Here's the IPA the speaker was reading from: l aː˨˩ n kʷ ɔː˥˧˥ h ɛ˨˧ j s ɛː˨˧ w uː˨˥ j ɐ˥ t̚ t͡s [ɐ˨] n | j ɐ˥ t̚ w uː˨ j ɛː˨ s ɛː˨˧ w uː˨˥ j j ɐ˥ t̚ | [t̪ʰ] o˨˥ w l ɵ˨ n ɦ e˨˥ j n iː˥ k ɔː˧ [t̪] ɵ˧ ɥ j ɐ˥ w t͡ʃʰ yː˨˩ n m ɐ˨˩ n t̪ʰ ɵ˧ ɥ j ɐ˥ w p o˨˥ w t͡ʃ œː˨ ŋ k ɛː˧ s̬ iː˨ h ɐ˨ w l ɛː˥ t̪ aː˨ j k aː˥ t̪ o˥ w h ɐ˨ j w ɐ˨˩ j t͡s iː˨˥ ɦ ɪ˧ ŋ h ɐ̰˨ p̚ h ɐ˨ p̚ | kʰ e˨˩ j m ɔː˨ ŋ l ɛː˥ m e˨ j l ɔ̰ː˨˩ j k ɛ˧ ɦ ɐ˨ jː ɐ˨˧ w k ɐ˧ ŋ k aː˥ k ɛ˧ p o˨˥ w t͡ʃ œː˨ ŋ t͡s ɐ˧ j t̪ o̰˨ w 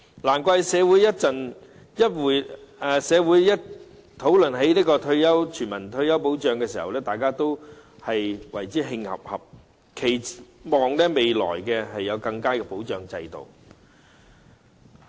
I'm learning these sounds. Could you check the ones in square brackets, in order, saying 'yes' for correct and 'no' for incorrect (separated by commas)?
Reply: yes, yes, no